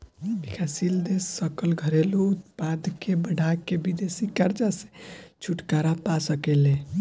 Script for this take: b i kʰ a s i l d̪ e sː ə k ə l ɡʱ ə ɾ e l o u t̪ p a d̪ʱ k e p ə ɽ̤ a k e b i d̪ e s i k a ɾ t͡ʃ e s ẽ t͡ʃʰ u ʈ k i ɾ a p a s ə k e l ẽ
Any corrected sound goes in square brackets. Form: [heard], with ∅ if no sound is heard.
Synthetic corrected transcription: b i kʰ a s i l d̪ e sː ə k ə l ɡʱ ə ɾ e l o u t̪ p a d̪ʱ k e [b] ə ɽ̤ a k e b i d̪ e s i k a ɾ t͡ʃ [a] s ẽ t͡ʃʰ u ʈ k [a] ɾ a p a s ə k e l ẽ